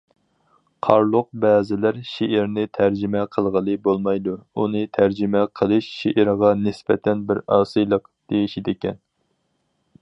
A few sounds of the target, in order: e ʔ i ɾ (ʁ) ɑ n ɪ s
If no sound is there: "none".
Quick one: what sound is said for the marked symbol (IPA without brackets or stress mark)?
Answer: ʁ